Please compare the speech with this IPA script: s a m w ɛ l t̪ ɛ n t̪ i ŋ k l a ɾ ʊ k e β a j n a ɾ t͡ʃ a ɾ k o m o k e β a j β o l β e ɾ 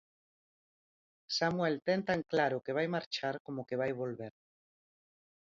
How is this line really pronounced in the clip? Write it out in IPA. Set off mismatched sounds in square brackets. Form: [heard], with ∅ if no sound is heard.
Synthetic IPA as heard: s a m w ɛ l t̪ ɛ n t̪ [a] ŋ k l a ɾ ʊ k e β a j [m] a ɾ t͡ʃ a ɾ k o m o k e β a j β o l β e ɾ